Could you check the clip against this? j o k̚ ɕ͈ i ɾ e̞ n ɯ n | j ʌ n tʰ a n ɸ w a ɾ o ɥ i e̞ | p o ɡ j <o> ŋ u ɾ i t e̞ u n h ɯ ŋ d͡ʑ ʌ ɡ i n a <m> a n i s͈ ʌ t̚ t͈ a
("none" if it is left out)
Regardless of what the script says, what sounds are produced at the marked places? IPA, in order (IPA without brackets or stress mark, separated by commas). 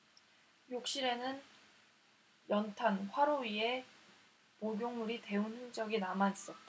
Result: o, m